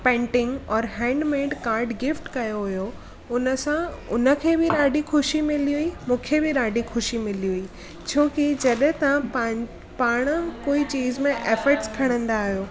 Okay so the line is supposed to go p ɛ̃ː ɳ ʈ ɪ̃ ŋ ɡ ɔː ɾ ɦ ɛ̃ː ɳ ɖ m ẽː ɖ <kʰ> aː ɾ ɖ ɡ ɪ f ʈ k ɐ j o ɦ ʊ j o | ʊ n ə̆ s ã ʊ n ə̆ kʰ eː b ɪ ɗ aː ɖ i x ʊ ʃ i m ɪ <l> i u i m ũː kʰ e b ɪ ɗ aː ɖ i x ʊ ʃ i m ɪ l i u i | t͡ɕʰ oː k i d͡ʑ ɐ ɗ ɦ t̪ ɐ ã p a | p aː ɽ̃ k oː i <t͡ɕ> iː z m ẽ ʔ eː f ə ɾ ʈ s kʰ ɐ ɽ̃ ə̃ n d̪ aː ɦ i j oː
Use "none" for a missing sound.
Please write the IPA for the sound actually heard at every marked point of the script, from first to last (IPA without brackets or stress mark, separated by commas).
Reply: k, l, t͡ɕ